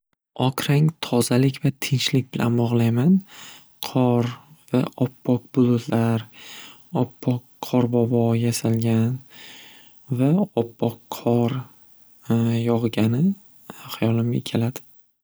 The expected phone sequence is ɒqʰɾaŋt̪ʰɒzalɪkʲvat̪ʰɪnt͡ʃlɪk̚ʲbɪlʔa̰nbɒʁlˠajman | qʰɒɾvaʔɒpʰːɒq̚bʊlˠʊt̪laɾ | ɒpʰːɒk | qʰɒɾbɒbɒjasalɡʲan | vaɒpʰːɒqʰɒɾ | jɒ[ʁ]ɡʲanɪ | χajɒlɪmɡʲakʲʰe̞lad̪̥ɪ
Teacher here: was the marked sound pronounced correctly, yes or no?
yes